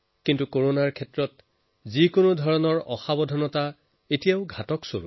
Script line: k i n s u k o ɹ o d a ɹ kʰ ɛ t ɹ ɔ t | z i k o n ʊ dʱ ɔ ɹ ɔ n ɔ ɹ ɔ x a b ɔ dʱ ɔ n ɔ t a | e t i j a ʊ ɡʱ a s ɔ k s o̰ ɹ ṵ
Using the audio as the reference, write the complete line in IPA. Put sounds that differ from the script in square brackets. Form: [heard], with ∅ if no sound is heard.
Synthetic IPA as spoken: k i n [t] u k o ɹ o [n] a ɹ kʰ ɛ t ɹ ɔ t | z i k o n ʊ dʱ ɔ ɹ ɔ n ɔ ɹ ɔ x a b ɔ dʱ ɔ n ɔ t a | e t i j a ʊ ɡʱ a [t] ɔ k s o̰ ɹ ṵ